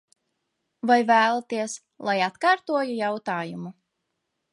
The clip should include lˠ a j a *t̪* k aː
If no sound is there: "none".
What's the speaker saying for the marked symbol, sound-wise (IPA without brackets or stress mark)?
t̪